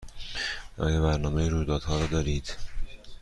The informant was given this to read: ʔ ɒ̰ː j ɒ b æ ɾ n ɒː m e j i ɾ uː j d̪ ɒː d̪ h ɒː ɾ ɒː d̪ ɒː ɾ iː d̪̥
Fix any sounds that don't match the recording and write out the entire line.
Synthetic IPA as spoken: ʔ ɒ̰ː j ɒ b æ ɾ n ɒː m e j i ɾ uː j d̪ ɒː d̪ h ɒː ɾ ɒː d̪ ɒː ɾ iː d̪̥

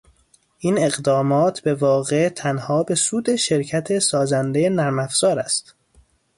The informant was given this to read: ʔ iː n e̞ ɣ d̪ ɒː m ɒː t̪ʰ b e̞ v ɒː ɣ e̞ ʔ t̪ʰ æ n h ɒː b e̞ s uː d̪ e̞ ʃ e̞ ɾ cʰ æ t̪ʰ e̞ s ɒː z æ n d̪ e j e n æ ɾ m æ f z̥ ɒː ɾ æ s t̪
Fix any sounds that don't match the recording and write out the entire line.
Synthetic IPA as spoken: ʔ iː n e̞ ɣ d̪ ɒː m ɒː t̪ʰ b e̞ v ɒː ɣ e̞ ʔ t̪ʰ æ n h ɒː b e̞ s uː d̪ e̞ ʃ e̞ ɾ cʰ æ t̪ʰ e̞ s ɒː z æ n d̪ e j e n æ ɾ m æ f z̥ ɒː ɾ æ s t̪

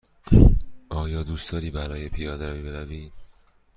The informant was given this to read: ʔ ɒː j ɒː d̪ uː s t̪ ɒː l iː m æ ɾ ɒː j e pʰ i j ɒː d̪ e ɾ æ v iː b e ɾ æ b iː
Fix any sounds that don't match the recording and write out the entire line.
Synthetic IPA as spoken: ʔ ɒː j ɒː d̪ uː s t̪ ɒː ɾ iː b æ ɾ ɒː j e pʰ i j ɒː d̪ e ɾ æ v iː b e ɾ æ v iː

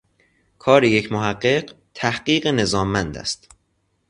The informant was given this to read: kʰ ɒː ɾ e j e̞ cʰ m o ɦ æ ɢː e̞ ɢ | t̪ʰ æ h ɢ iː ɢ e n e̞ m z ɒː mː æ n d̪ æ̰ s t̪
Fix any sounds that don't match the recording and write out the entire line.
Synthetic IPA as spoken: kʰ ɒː ɾ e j e̞ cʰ m o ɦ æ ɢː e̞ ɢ | t̪ʰ æ h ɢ iː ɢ e n e̞ z ɒː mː æ n d̪ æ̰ s t̪

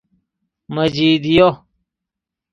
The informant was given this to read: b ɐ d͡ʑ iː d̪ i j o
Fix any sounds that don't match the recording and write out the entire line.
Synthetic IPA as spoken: m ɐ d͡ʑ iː d̪ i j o

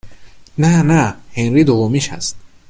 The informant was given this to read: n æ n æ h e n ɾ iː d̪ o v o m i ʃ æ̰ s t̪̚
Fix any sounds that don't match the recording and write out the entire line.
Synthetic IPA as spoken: n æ n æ h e n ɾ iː d̪ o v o m i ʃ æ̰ s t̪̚

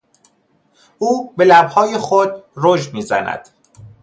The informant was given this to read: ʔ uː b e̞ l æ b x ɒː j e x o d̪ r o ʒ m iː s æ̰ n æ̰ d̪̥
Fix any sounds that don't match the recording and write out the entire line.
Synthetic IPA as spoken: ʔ uː b e̞ l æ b h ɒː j e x o d̪ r o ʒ m iː z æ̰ n æ̰ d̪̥

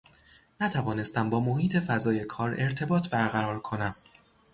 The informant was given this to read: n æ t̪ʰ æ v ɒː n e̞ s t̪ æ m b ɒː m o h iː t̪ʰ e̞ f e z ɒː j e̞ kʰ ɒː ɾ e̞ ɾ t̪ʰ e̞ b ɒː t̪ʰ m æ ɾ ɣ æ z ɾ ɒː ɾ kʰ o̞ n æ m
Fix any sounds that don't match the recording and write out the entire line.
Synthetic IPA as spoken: n æ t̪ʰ æ v ɒː n e̞ s t̪ æ m b ɒː m o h iː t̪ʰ e̞ f æ z ɒː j e̞ kʰ ɒː ɾ e̞ ɾ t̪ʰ e̞ b ɒː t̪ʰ b æ ɾ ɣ æ ɾ ɒː ɾ kʰ o̞ n æ m

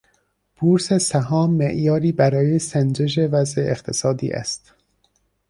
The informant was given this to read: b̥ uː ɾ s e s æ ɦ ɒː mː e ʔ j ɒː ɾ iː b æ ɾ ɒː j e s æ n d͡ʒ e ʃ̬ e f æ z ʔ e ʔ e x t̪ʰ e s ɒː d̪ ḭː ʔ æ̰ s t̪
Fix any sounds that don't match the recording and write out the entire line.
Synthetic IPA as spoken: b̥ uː ɾ s e s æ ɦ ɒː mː e ʔ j ɒː ɾ iː b æ ɾ ɒː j e s æ n d͡ʒ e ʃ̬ e v æ z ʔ e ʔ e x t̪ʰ e s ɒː d̪ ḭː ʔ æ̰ s t̪

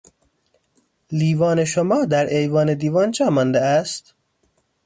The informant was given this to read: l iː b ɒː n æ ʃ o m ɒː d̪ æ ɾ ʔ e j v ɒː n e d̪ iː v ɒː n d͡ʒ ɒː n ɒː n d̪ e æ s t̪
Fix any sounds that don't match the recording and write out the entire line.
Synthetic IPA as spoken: l iː v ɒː n e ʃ o m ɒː d̪ æ ɾ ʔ e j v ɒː n e d̪ iː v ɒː n d͡ʒ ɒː m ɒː n d̪ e æ s t̪

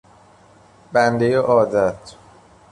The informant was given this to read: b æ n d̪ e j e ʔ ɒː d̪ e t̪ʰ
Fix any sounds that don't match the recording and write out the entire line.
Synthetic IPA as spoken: b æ n d̪ e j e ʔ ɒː d̪ æ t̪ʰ

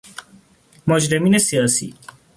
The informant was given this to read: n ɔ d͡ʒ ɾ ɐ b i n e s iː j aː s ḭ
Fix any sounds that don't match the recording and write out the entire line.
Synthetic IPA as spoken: m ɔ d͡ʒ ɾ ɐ m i n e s i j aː s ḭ

